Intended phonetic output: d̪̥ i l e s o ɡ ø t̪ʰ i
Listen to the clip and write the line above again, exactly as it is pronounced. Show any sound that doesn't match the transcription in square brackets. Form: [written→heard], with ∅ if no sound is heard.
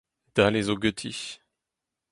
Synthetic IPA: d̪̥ [i→a] l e [s→z] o ɡ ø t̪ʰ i